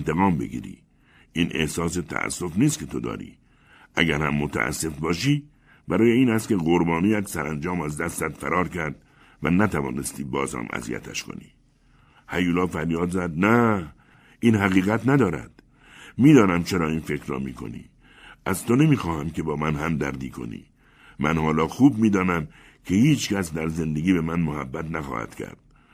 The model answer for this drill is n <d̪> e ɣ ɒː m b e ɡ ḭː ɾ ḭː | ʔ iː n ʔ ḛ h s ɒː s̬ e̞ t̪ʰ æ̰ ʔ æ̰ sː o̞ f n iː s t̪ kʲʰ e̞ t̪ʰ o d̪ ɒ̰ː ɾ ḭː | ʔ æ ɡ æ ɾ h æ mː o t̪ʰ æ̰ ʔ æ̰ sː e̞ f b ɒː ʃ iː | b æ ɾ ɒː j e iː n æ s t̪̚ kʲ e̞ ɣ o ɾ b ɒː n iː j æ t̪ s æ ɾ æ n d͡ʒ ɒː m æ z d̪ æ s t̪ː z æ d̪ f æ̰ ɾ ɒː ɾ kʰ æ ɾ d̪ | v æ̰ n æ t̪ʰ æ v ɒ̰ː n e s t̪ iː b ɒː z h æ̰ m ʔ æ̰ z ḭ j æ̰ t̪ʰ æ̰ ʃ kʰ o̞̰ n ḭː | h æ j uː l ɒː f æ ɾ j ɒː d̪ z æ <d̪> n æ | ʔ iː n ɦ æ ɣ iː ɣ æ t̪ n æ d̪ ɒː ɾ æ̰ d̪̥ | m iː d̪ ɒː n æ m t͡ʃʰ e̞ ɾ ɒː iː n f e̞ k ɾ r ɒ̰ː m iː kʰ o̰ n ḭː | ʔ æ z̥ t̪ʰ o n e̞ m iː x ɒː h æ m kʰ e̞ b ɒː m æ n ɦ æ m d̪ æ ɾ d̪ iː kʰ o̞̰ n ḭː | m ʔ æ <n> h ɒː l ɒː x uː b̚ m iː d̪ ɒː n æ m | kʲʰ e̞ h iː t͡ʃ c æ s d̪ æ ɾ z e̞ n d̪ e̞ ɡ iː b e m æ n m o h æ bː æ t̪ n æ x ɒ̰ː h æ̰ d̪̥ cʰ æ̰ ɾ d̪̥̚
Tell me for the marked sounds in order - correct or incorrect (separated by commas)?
incorrect, correct, correct